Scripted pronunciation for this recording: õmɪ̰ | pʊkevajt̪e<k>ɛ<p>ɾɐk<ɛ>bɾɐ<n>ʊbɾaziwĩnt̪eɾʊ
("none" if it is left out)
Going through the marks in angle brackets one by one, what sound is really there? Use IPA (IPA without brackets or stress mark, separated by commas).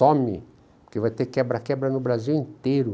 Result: k, b, ɛ, n